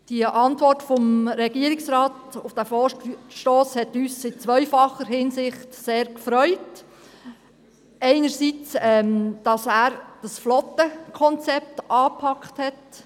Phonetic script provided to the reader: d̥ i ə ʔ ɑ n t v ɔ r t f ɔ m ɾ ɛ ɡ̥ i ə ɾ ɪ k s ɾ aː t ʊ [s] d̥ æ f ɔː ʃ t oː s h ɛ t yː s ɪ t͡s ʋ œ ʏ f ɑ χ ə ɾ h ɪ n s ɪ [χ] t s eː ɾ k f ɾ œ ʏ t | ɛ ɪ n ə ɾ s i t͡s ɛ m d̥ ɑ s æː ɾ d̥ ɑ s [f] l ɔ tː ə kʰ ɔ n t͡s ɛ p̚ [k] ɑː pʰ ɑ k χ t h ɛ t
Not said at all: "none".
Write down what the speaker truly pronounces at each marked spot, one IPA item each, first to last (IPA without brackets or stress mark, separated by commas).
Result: f, χ, f, t